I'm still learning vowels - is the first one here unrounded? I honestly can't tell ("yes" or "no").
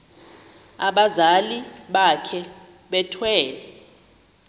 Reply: yes